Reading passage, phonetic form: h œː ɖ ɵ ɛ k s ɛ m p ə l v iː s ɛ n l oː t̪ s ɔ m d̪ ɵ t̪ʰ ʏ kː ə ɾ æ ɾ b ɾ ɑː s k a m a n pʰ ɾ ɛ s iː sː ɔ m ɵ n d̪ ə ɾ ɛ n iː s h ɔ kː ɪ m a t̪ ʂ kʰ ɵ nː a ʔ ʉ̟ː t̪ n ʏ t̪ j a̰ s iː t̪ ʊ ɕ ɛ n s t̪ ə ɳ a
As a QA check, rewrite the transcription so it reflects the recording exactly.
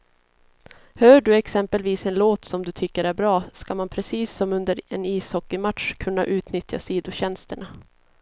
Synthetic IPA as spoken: h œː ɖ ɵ ɛ k s ɛ m p ə l v iː s ɛ n l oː t̪ s ɔ m d̪ ɵ t̪ʰ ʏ kː ə ɾ æ ɾ b ɾ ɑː s k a m a n pʰ ɾ ɛ s iː sː ɔ m ɵ n d̪ ə ɾ ɛ n iː s h ɔ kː ɪ m a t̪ ʂ kʰ ɵ nː a ʔ ʉ̟ː t̪ n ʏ t̪ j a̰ s iː d̪ ʊ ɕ ɛ n s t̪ ə ɳ a

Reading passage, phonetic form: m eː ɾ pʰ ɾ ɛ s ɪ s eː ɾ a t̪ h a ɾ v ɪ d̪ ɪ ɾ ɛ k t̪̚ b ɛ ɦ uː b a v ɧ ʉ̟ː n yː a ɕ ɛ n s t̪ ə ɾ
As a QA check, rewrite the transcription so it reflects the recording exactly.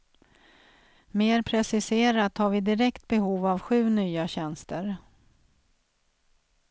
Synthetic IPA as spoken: m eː ɾ pʰ ɾ ɛ s ɪ s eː ɾ a t̪ h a ɾ v ɪ d̪ ɪ ɾ ɛ k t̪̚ b ɛ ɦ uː v a v ɧ ʉ̟ː n yː a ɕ ɛ n s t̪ ə ɾ

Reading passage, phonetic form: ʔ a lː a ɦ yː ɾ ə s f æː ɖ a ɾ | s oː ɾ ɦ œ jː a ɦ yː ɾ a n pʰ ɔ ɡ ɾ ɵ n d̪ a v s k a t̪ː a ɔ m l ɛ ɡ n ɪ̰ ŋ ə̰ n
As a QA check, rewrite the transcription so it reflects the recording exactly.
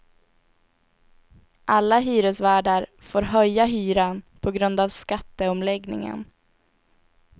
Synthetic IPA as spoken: ʔ a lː a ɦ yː ɾ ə s v æː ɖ a ɾ | f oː ɾ ɦ œ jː a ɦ yː ɾ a n pʰ ɔ ɡ ɾ ɵ n d̪ a v s k a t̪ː ə ɔ m l ɛ ɡ n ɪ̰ ŋ ə̰ n

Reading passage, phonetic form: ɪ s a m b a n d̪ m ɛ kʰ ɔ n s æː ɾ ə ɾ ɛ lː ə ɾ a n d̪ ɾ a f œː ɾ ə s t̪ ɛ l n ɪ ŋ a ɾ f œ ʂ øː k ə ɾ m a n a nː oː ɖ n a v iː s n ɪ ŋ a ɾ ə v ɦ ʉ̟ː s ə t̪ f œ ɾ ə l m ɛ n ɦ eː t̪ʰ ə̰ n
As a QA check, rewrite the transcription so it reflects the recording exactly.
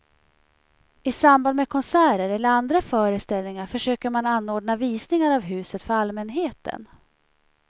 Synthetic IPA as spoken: ɪ s a m b a n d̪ m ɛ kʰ ɔ n s æː ɾ ə ɾ ɛ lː ə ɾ a n d̪ ɾ a f œː ɾ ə s t̪ ɛ l n ɪ ŋ a ɾ f œ ʂ øː k ə ɾ m a n a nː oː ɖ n a v iː s n ɪ ŋ a ɾ a v ɦ ʉ̟ː s ə t̪ f œ ɾ a l m ɛ n ɦ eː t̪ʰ ə̰ n

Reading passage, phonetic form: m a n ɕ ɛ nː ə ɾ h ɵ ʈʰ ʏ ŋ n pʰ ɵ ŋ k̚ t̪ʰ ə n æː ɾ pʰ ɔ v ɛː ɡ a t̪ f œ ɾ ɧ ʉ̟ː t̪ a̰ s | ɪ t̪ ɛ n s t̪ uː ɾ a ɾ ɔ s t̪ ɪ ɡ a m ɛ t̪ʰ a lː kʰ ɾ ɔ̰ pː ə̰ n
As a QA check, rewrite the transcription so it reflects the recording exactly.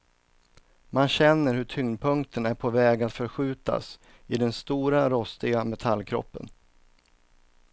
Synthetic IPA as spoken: m a n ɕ ɛ nː ə ɾ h ɵ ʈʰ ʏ ŋ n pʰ ɵ ŋ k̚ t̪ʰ ə n æ ɾ pʰ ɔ v ɛː ɡ a t̪ f œ ɾ ɧ ʉ̟ː t̪ a̰ s | ɪ d̪ ɛ n s t̪ uː ɾ a ɾ ɔ s t̪ ɪ ɡ a m ɛ t̪ʰ a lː kʰ ɾ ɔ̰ pː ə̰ n

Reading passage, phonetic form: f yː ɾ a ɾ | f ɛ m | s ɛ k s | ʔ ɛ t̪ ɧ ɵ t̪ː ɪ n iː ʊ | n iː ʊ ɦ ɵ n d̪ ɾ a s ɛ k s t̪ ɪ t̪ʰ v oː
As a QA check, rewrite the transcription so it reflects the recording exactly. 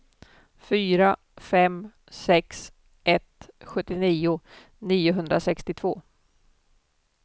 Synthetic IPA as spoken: f yː ɾ a | f ɛ m | s ɛ k s | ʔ ɛ t̪ ɧ ɵ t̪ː ɪ n iː ʊ | n iː ʊ ɦ ɵ n d̪ ɾ a s ɛ k s t̪ ɪ t̪ʰ v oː

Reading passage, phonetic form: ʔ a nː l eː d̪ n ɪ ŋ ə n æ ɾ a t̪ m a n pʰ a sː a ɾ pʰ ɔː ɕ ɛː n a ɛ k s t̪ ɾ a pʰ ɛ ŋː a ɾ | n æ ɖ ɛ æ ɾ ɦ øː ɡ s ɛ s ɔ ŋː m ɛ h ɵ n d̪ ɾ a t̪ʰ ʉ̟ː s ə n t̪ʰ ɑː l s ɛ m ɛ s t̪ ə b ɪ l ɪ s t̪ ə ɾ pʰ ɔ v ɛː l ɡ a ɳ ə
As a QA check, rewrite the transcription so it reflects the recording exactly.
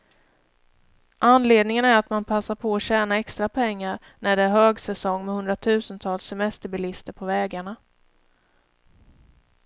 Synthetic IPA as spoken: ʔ a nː l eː d̪ n ɪ ŋ ə n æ ɾ a t̪ m a n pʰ a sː a ɾ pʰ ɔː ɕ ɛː n a ɛ k s t̪ ɾ a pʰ ɛ ŋː a ɾ | n æ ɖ ɛ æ ɾ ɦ øː ɡ s ɛ s ɔ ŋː m ɛ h ɵ n d̪ ɾ a t̪ʰ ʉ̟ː s ə n t̪ʰ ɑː l s ɛ m ɛ s t̪ ə b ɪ l ɪ s t̪ ə ɾ pʰ ɔ v ɛː ɡ a ɳ a

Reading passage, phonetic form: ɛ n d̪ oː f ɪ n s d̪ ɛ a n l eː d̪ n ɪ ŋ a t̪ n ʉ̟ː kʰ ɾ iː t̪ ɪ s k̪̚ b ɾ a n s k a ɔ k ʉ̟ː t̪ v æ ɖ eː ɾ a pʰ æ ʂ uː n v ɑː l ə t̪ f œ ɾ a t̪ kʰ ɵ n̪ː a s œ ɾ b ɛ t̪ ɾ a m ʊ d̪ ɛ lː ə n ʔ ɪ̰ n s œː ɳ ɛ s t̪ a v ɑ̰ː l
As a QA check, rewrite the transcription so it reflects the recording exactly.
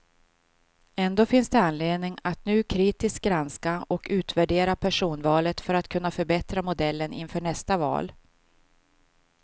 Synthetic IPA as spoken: ɛ n d̪ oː f ɪ n s d̪ ɛ a n l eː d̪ n ɪ ŋ a t̪ n ʉ̟ː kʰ ɾ iː t̪ ɪ s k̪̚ ɡ ɾ a n s k a ɔ k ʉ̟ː t̪ v æ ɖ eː ɾ a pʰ æ ʂ uː n v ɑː l ə t̪ f œ ɾ a t̪ kʰ ɵ n̪ː a f œ ɾ b ɛ t̪ ɾ a m ʊ d̪ ɛ lː ə n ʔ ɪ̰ n f œː ɳ ɛ s t̪ a v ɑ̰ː l

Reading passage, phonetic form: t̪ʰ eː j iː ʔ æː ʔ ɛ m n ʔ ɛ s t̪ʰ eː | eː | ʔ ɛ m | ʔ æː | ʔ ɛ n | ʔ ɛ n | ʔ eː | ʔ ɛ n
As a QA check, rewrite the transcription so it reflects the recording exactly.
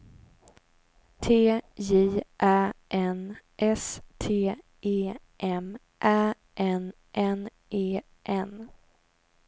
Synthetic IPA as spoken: t̪ʰ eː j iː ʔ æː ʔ ɛ n ʔ ɛ s t̪ʰ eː | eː | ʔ ɛ m | ʔ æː | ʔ ɛ n | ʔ ɛ n | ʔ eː | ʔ ɛ n

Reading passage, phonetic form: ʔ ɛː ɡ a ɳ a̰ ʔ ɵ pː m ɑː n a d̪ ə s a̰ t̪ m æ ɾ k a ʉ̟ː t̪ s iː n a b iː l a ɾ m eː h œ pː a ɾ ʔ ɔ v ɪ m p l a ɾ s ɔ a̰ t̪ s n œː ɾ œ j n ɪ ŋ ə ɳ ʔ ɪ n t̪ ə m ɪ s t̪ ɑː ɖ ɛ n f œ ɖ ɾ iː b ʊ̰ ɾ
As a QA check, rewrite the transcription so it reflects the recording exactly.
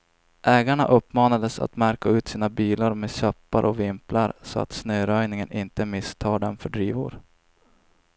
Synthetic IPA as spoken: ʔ ɛː ɡ a ɳ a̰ ʔ ɵ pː m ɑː n a d̪ ə s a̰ t̪ m æ ɾ k a ʉ̟ː t̪ s iː n a b iː l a ɾ m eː ɕ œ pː a ɾ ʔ ɔ v ɪ m p l a ɾ s ɔ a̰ t̪ s n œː ɾ œ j n ɪ ŋ ə n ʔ ɪ n t̪ ə m ɪ s t̪ʰ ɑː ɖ ɛ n f œ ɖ ɾ iː v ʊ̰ ɾ

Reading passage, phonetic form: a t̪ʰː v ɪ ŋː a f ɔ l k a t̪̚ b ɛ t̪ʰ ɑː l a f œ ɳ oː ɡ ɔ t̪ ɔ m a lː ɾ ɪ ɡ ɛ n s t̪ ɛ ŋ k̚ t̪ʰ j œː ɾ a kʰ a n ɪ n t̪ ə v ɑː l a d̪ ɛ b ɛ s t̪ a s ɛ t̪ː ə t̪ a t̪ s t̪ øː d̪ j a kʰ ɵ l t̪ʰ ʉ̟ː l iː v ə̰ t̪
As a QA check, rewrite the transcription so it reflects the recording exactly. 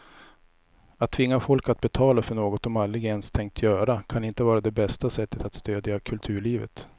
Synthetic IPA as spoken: a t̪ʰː v ɪ ŋː a f ɔ l k a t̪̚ b ɛ t̪ʰ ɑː l a f œ ɳ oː ɡ ɔ t̪ ɔ m a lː ɾ ɪ ɡ ɛ n s t̪ʰ ɛ ŋ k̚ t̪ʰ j œː ɾ a kʰ a n ɪ n t̪ ə v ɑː ɾ a d̪ ɛ b ɛ s t̪ a s ɛ t̪ː ə t̪ a t̪ s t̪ øː d̪ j a kʰ ɵ l t̪ʰ ʉ̟ː ɭ iː v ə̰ t̪

